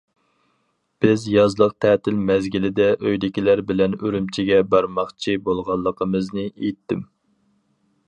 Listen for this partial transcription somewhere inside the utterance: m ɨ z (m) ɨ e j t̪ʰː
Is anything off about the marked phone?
yes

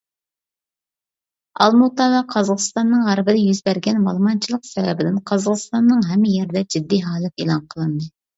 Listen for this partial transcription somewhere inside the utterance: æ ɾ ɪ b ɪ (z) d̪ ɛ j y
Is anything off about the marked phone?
yes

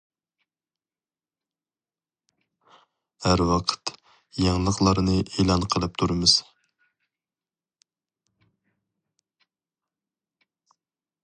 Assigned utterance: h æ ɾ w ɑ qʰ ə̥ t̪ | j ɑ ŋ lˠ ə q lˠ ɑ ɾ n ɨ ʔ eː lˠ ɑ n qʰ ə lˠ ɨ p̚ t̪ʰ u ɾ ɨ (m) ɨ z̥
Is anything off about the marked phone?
no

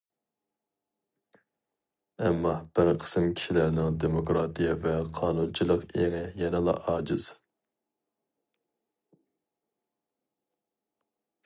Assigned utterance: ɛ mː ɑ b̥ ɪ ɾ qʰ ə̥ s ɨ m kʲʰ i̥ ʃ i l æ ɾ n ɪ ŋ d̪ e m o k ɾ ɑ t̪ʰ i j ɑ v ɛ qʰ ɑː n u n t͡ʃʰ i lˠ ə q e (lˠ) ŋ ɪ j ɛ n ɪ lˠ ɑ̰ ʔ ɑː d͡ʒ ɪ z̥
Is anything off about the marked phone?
yes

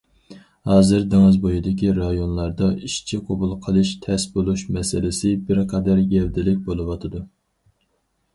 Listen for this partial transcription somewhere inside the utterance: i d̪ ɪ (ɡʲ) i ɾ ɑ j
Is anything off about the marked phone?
yes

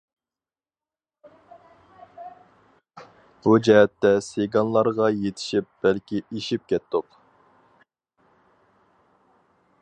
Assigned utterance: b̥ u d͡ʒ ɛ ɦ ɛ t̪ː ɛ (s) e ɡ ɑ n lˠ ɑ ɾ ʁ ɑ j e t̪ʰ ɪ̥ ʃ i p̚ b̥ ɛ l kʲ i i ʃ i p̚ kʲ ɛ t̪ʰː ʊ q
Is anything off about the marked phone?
no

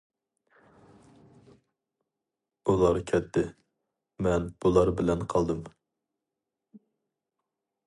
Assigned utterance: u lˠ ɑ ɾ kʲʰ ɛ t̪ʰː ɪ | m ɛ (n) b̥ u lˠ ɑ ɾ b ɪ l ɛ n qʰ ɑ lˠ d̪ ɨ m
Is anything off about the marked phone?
no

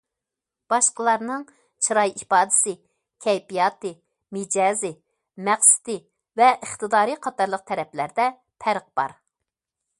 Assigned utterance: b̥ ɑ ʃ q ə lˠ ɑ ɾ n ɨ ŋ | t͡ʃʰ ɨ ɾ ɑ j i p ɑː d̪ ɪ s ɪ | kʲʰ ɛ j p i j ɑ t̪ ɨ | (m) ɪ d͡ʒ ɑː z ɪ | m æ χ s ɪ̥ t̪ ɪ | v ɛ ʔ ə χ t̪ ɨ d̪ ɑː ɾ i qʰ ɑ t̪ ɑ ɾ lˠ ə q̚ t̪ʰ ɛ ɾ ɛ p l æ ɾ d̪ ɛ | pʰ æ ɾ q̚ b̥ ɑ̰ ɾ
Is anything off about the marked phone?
no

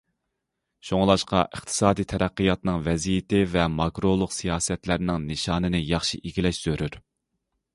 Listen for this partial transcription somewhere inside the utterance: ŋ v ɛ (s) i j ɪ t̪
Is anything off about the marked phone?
yes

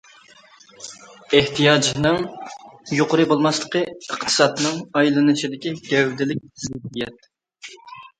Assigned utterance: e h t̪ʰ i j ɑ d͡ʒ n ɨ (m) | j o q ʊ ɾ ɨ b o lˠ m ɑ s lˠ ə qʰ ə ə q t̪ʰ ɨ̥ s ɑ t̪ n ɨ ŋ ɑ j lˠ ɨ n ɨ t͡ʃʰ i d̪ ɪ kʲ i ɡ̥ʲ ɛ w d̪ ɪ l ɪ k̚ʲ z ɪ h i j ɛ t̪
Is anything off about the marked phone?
yes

